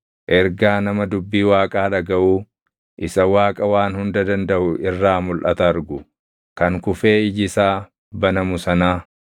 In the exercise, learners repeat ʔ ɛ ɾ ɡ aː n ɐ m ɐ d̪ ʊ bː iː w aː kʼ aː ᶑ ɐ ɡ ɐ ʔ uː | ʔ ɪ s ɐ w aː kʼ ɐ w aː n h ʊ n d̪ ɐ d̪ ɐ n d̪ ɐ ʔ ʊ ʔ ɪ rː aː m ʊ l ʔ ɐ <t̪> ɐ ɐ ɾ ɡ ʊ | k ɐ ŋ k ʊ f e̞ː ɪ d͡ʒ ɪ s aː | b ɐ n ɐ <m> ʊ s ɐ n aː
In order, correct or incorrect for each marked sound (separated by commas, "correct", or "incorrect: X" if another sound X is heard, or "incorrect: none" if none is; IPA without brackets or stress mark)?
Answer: correct, correct